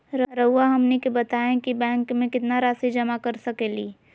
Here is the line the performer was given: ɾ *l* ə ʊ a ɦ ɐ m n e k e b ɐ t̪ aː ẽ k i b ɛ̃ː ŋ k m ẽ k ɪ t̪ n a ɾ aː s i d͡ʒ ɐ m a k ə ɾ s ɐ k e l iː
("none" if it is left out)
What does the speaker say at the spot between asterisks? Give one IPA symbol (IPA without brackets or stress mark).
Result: ɾ